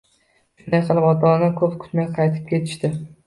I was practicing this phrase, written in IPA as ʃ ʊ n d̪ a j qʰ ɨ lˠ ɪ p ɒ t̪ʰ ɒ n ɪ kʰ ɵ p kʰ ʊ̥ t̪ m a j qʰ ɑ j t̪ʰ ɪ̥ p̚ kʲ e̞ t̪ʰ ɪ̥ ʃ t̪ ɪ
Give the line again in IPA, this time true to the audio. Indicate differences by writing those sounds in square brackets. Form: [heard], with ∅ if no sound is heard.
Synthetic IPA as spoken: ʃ ʊ n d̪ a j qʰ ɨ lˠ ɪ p ɒ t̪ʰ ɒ n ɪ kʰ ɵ p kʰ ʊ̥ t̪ m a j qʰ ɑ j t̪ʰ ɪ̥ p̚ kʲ e̞ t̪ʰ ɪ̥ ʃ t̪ ɪ